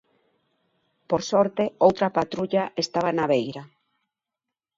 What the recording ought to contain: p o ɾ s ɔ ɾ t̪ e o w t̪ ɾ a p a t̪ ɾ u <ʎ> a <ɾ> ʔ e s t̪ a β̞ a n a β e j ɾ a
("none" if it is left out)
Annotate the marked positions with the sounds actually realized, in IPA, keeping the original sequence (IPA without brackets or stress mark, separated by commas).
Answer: ʎ, none